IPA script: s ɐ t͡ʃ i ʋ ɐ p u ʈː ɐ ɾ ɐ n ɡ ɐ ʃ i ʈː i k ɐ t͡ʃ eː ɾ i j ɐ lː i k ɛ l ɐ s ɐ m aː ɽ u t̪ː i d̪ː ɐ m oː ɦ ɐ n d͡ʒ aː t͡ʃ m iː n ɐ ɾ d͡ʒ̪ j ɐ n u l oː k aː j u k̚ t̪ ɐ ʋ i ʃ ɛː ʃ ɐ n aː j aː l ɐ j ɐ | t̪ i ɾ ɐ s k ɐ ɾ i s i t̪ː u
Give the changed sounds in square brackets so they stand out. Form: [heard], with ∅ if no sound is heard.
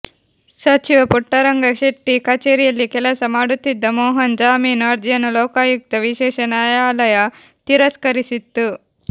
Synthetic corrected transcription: s ɐ t͡ʃ i ʋ ɐ p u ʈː ɐ ɾ ɐ [ŋ] ɡ ɐ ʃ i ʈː i k ɐ t͡ʃ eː ɾ i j ɐ lː i k ɛ l ɐ s ɐ m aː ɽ u t̪ː i d̪ː ɐ m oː ɦ ɐ n d͡ʒ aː [∅] m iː n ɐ ɾ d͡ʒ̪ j ɐ n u l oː k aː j u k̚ t̪ ɐ ʋ i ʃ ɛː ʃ ɐ n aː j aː l ɐ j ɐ | t̪ i ɾ ɐ s k ɐ ɾ i s i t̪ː u